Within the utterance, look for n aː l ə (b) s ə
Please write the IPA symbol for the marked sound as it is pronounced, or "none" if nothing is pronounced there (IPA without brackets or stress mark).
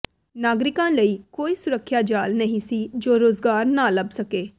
b